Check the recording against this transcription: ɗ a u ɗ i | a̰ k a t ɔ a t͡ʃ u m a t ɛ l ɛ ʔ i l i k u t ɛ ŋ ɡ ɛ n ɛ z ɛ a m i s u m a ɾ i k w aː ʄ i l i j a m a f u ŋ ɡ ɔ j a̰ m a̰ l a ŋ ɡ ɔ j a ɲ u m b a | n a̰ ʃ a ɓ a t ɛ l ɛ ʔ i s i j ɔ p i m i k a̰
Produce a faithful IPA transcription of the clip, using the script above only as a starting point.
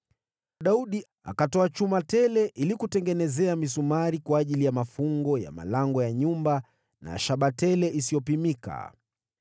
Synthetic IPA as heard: ɗ a u ɗ i | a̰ k a t ɔ a t͡ʃ u m a t ɛ l ɛ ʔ i l i k u t ɛ ŋ ɡ ɛ n ɛ z ɛ a m i s u m a ɾ i k w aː ʄ i l i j a m a f u ŋ ɡ ɔ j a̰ m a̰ l a ŋ ɡ ɔ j a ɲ u m b a | n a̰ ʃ a ɓ a t ɛ l ɛ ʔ i s i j ɔ p i m i k a̰